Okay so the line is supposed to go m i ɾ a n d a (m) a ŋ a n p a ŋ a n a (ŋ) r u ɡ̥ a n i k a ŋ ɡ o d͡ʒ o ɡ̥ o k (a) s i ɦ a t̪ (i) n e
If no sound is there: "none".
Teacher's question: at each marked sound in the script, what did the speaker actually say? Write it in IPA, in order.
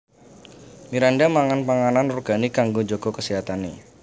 m, n, ə, a

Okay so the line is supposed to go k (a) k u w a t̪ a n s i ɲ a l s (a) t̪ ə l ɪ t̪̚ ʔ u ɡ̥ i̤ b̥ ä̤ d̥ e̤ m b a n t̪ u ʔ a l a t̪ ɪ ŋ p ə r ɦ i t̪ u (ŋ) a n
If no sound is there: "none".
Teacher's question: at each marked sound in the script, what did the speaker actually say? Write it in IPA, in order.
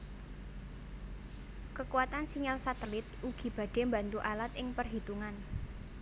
ə, a, ŋ

